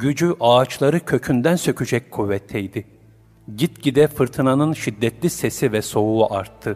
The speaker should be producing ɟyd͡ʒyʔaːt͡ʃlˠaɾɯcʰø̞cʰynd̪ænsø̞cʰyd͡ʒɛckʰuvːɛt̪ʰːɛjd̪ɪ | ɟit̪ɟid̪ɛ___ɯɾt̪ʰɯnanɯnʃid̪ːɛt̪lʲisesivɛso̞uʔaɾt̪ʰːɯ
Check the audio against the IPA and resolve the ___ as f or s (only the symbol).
f